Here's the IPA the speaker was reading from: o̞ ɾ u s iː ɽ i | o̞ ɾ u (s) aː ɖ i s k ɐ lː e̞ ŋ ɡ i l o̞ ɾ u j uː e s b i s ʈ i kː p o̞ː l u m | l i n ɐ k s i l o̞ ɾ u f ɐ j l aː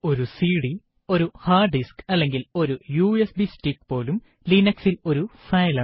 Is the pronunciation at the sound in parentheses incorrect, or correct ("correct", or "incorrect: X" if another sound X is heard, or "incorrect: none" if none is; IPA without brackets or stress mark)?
incorrect: h